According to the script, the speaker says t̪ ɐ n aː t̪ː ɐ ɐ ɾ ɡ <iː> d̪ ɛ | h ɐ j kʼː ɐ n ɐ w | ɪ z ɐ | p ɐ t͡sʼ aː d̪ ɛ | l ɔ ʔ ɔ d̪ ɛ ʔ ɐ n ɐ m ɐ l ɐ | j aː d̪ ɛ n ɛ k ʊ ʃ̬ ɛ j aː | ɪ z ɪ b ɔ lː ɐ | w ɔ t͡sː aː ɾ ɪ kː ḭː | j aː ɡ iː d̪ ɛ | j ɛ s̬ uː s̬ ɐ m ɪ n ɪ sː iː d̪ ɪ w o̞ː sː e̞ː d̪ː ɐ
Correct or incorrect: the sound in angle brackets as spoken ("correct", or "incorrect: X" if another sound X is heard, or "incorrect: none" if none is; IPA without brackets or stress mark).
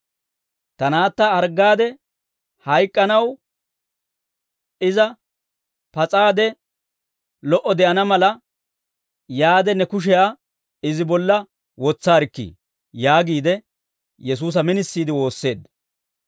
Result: incorrect: aː